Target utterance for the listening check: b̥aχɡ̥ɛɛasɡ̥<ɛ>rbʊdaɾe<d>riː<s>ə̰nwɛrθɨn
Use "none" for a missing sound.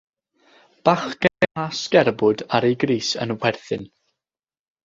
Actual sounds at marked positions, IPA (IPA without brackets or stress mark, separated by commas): ɛ, ɡ, s